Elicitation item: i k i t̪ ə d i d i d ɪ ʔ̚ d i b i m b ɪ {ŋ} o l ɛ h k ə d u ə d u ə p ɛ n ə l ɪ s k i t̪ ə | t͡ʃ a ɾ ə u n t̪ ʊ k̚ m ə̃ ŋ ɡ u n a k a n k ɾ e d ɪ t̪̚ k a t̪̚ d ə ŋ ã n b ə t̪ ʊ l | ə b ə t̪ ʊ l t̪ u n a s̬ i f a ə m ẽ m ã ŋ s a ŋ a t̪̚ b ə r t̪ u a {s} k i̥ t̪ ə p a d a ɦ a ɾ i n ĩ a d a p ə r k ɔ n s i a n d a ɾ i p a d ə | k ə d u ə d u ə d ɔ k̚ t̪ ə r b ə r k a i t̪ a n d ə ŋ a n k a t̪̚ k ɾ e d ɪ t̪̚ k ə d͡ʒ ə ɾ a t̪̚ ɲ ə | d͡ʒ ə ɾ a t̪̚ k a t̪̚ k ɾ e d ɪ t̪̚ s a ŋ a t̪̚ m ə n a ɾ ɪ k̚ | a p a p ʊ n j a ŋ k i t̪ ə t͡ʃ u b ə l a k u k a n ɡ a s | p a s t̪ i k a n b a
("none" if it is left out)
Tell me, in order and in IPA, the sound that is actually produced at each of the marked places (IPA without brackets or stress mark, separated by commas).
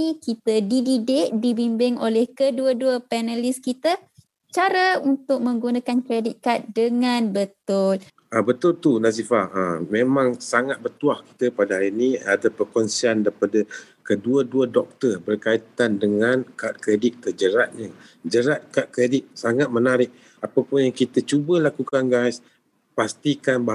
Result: ŋ, h